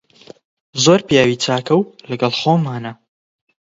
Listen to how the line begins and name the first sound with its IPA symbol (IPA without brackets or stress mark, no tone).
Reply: z